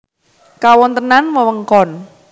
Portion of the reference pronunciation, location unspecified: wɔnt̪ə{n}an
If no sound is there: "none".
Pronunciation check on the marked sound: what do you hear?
n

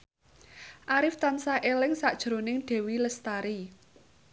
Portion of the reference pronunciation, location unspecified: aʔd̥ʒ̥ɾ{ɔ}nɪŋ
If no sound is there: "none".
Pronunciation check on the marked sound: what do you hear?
o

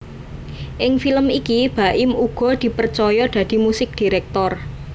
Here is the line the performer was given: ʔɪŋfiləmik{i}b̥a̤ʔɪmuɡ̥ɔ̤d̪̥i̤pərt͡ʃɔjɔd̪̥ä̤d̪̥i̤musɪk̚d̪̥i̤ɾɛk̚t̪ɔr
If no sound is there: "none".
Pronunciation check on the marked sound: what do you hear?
i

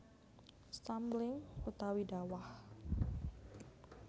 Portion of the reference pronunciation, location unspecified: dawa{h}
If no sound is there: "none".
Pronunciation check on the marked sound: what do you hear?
h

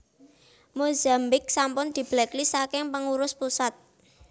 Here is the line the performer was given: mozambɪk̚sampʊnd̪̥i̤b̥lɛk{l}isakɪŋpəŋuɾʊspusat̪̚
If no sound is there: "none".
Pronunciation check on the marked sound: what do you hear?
l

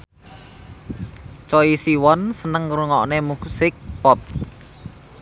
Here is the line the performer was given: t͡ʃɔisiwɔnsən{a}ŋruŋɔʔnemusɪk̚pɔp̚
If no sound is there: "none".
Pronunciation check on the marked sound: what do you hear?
ə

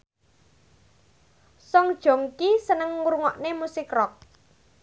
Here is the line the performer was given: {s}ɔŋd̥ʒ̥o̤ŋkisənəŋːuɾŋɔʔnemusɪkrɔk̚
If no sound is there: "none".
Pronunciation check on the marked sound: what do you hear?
s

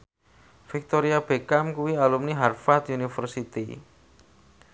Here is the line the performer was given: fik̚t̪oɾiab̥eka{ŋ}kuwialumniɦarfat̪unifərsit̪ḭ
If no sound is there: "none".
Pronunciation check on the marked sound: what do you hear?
m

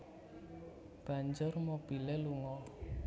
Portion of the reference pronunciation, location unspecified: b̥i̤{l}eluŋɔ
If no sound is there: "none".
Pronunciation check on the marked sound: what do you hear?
l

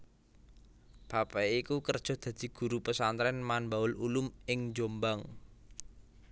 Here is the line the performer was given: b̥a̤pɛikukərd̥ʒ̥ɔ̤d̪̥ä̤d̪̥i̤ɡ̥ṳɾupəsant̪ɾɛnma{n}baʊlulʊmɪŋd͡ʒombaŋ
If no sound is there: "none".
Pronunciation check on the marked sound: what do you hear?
n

